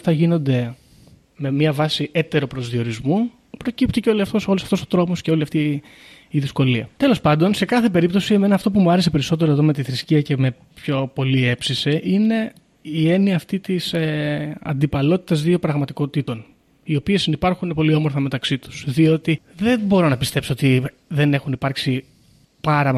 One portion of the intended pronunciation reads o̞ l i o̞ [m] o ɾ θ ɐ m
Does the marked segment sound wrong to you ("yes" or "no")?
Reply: no